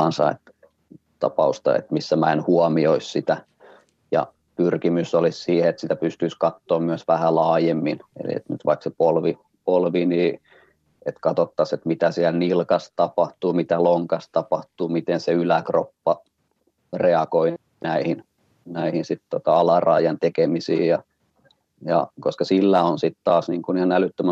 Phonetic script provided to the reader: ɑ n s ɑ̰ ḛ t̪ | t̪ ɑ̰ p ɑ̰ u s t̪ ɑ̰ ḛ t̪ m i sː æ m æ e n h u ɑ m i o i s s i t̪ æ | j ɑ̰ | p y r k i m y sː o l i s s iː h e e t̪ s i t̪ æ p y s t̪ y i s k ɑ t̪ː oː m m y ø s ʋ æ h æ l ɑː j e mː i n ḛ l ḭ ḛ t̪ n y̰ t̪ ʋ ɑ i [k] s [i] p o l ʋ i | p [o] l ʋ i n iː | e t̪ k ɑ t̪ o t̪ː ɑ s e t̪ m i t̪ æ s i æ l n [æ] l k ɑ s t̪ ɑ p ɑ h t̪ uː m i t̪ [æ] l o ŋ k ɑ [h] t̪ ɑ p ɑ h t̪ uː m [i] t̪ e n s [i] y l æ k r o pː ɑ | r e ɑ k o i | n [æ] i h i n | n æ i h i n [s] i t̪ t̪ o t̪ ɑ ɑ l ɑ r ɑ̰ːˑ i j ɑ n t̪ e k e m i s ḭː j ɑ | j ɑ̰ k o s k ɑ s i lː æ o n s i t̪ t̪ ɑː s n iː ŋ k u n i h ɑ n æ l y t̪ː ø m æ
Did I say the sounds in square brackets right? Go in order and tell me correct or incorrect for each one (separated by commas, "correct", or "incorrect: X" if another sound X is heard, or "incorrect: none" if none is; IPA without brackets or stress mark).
correct, incorrect: e, correct, incorrect: i, correct, incorrect: s, correct, incorrect: e, correct, correct